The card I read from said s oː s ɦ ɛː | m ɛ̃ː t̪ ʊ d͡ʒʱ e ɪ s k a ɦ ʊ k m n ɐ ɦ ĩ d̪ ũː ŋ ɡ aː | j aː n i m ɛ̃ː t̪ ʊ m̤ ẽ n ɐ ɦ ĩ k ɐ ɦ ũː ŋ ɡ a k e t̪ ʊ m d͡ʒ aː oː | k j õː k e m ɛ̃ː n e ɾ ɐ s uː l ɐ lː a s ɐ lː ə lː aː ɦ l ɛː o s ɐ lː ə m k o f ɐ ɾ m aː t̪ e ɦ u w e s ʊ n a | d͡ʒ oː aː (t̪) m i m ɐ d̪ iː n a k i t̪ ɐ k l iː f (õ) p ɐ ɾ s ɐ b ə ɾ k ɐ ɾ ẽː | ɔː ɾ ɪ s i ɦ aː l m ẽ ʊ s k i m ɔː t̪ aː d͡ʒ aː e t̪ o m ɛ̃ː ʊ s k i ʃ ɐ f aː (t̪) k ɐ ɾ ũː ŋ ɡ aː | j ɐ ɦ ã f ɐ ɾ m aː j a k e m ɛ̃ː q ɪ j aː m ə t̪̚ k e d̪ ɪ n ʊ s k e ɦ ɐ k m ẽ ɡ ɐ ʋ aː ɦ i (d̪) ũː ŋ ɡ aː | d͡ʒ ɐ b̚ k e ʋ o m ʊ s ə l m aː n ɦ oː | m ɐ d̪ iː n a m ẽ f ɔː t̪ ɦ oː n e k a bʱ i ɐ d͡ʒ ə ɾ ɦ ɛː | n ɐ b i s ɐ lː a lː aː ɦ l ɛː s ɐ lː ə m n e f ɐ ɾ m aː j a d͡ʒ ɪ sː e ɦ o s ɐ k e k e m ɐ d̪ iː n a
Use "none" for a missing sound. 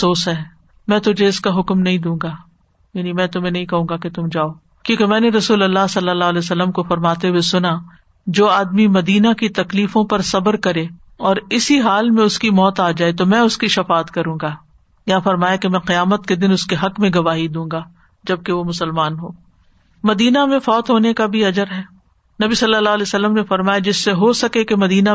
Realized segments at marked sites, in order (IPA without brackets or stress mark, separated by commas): d̪, õ, t̪, d̪